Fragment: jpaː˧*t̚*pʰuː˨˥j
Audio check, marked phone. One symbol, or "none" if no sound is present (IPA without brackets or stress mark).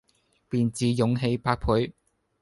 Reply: k̚